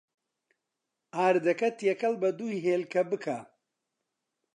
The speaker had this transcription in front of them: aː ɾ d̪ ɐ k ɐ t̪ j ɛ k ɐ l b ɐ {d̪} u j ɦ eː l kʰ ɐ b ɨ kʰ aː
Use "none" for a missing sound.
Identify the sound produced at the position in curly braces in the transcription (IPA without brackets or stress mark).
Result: d̪